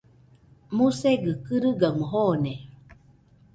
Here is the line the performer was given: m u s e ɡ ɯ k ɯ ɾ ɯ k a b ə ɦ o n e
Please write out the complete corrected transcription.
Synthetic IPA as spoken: m u s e ɡ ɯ k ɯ ɾ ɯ ɡ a m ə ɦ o n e